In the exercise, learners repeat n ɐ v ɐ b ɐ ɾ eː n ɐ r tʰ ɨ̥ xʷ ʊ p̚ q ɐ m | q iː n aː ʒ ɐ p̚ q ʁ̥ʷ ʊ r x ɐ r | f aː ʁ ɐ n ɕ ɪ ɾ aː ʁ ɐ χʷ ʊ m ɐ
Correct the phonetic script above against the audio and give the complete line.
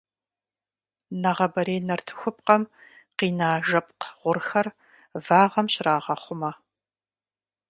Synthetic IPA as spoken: n ɐ ʁ ɐ b ɐ ɾ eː n ɐ r tʰ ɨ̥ xʷ ʊ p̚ q ɐ m | q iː n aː ʒ ɐ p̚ q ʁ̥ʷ ʊ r x ɐ r | v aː ʁ ɐ m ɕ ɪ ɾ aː ʁ ɐ χʷ ʊ m ɐ